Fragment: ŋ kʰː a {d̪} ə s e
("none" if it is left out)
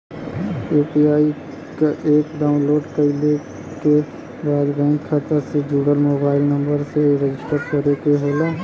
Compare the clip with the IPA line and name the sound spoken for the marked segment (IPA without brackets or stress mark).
t̪